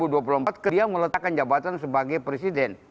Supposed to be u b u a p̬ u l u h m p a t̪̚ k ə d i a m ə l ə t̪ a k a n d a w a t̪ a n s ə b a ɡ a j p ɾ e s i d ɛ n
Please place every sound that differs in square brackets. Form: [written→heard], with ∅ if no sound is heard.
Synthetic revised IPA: u [b→d] u a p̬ u l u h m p a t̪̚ k ə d i a m ə l ə t̪ a k a n [d→d͡ʒ] a [w→b] a t̪ a n s ə b a ɡ a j p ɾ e s i d ɛ n